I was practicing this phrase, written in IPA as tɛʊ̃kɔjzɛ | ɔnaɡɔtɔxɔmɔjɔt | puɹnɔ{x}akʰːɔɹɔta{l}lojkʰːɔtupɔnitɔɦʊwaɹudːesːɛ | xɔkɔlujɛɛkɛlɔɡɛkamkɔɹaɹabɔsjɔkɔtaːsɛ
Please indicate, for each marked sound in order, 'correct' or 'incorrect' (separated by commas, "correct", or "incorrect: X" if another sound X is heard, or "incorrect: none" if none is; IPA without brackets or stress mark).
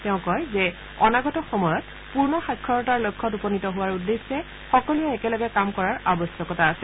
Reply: correct, incorrect: ɹ